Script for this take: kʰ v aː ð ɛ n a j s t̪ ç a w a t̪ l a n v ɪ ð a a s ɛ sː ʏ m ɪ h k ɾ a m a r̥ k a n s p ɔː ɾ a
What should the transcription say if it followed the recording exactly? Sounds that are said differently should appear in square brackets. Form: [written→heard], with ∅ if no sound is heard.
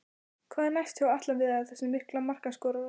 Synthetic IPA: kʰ v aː ð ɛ n a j s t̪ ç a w a t̪ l a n v ɪ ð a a [s→θ] ɛ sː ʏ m ɪ h k [ɾ→l] a m a r̥ k a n s [p→k] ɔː ɾ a